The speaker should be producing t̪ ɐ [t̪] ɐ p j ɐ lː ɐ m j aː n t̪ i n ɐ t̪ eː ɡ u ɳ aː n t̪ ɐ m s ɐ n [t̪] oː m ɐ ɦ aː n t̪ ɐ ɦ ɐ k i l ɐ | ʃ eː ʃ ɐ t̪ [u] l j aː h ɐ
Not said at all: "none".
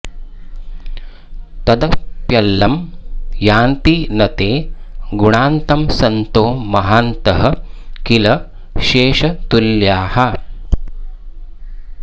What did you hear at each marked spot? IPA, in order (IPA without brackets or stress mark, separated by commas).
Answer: d̪, t̪, u